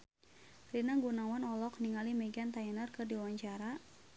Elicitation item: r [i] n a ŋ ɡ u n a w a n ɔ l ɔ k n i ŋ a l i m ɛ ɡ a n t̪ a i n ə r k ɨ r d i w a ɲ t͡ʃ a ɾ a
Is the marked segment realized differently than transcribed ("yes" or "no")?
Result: no